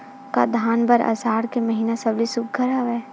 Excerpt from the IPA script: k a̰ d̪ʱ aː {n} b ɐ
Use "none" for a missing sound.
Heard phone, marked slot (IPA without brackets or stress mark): n